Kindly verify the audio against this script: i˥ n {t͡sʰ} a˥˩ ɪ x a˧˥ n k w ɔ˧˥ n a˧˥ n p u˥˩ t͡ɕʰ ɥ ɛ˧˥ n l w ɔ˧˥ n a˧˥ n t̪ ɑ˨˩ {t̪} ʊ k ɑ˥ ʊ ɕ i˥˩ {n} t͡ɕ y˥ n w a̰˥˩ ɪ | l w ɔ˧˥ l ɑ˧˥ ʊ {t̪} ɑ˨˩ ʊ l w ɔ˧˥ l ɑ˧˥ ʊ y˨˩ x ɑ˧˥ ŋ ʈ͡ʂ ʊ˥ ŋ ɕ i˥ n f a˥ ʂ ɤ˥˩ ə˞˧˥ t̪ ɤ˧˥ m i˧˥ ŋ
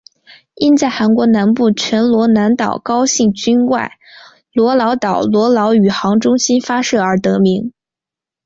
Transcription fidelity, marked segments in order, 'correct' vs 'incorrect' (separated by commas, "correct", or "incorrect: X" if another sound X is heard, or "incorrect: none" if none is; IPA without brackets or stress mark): incorrect: t͡s, incorrect: none, incorrect: ŋ, correct